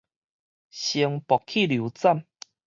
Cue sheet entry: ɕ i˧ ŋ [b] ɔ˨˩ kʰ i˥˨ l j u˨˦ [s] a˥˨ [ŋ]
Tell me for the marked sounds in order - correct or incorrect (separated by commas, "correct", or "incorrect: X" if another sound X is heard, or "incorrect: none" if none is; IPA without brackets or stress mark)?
incorrect: p, incorrect: t͡s, incorrect: m